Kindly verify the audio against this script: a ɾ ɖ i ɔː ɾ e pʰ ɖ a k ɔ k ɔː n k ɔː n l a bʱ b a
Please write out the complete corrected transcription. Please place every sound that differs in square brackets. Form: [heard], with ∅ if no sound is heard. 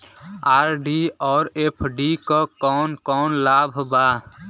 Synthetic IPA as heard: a ɾ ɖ i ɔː ɾ e pʰ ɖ [i] k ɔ k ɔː n k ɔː n l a bʱ b a